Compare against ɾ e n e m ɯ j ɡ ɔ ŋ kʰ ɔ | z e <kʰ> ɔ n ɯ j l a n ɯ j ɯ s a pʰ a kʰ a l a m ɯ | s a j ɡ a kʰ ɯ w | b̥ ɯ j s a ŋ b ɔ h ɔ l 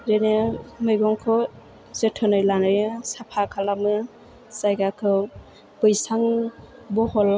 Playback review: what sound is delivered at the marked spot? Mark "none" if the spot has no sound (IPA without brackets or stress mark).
tʰ